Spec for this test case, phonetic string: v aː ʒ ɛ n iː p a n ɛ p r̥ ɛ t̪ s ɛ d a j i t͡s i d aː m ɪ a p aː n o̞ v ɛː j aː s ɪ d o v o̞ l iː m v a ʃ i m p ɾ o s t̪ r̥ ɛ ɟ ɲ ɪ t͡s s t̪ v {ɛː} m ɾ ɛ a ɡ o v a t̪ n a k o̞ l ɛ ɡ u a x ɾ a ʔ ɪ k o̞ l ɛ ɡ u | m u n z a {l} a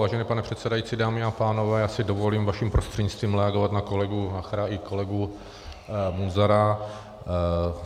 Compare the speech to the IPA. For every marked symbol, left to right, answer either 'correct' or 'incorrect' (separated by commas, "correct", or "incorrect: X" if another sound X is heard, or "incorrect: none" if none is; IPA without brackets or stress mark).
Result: incorrect: iː, incorrect: ɾ